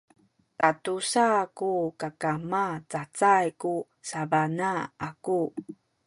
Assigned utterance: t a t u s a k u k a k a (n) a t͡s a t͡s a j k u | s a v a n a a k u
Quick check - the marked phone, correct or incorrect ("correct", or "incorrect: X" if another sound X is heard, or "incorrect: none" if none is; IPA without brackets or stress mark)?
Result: incorrect: m